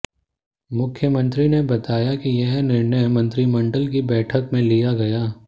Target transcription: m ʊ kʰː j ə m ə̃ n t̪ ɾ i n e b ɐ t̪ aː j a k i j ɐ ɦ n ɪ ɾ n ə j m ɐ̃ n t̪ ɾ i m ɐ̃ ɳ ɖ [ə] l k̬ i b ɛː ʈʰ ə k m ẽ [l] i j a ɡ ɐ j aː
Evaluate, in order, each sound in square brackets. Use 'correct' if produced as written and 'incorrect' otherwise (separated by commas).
correct, correct